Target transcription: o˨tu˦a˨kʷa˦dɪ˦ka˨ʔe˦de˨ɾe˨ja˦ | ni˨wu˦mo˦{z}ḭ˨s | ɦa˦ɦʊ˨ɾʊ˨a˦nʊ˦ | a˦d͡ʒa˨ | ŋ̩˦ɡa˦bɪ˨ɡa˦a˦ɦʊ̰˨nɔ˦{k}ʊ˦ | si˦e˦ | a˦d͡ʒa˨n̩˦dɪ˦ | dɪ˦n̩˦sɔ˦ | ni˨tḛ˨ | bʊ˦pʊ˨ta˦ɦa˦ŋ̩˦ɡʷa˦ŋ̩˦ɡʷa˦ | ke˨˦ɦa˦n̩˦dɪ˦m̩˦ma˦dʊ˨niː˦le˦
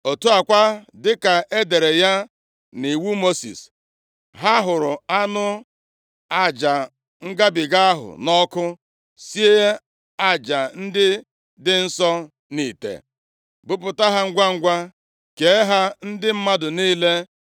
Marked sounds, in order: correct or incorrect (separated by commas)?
incorrect, correct